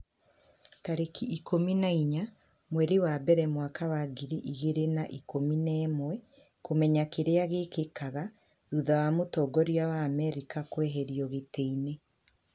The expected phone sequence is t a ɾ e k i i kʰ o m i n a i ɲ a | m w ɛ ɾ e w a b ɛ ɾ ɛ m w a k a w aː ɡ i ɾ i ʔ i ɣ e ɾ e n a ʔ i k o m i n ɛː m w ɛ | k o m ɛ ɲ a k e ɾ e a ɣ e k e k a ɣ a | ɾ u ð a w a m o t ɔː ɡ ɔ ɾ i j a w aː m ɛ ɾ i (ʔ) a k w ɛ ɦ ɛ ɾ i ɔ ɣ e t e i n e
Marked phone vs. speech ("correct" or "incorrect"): incorrect